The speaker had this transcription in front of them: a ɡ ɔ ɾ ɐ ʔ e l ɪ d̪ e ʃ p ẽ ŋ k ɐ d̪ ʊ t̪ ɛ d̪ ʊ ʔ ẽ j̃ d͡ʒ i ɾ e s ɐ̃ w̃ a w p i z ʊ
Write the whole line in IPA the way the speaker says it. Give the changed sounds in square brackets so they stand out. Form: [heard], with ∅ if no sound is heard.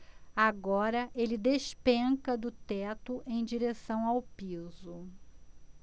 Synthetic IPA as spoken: a ɡ ɔ ɾ ɐ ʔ e l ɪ d̪ e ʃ p ẽ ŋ k ɐ d̪ ʊ t̪ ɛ [t̪] ʊ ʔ ẽ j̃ d͡ʒ i ɾ e s ɐ̃ w̃ a w p i z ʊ